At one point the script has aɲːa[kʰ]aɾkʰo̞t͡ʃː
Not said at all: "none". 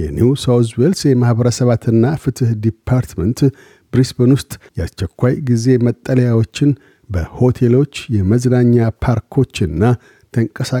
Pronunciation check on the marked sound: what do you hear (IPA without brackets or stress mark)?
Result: pʰ